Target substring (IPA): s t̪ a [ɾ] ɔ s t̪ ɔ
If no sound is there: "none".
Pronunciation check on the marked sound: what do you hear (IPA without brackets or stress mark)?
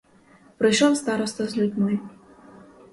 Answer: ɾ